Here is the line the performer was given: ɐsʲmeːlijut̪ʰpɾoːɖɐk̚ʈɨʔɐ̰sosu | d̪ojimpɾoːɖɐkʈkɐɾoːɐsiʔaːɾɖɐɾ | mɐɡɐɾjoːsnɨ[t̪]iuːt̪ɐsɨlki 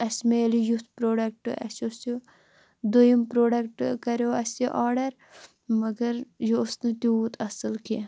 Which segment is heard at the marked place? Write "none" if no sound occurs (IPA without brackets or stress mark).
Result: t̪